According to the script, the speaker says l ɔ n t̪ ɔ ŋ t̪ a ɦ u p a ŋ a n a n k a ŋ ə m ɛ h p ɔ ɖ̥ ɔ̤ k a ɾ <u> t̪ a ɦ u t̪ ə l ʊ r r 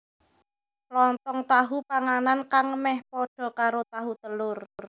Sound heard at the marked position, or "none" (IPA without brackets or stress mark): o